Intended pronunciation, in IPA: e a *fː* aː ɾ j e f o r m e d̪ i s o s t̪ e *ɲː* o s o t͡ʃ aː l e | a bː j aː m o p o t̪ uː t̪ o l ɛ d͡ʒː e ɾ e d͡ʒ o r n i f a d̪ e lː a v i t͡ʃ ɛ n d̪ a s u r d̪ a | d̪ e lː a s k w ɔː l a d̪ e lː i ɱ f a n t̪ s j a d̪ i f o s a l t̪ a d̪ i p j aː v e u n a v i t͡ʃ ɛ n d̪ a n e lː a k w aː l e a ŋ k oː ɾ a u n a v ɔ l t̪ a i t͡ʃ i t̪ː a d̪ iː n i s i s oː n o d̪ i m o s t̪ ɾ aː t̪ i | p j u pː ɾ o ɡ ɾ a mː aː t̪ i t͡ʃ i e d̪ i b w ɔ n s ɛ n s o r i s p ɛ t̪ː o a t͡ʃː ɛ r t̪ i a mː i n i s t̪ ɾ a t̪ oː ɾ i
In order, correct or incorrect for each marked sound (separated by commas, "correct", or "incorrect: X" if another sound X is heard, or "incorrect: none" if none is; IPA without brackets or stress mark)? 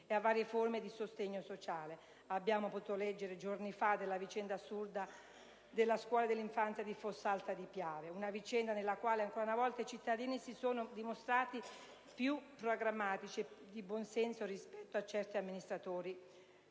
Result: incorrect: vː, correct